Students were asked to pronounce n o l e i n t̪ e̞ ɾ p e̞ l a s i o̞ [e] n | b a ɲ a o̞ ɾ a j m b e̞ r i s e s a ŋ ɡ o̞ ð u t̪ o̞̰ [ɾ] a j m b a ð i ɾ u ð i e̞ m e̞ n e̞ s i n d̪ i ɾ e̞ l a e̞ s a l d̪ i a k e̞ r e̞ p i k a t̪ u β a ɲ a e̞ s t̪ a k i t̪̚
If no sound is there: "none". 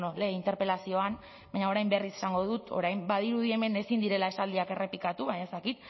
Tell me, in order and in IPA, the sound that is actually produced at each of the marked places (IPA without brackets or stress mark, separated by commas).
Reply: a, ɾ